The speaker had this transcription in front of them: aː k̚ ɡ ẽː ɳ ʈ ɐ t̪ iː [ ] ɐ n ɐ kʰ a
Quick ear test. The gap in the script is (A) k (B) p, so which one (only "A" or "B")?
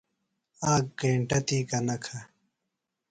A